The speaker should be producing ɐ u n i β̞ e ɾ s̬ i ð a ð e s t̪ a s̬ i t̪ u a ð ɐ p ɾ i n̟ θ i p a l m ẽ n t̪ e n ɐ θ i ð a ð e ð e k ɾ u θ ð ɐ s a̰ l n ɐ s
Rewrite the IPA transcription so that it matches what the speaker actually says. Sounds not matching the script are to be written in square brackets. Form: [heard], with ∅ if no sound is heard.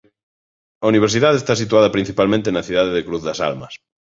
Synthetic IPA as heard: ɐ u n i β̞ e ɾ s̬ i ð a ð e s t̪ a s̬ i t̪ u a ð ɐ p ɾ i n̟ θ i p a l m ẽ n t̪ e n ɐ θ i ð a ð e ð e k ɾ u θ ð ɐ s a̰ l [m] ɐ s